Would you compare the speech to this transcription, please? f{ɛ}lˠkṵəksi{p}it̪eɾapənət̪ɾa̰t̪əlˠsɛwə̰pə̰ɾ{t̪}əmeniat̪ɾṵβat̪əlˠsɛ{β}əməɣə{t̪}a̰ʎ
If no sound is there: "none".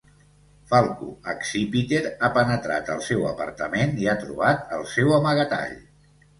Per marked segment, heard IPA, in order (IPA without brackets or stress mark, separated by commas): a, p, t̪, w, t̪